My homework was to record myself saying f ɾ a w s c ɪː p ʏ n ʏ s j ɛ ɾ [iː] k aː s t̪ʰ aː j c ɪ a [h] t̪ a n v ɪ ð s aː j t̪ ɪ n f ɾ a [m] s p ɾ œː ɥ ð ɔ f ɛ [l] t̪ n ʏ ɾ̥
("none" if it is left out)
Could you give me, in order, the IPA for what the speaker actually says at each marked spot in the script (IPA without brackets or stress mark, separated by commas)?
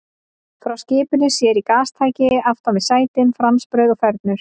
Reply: i, f, m, ɾ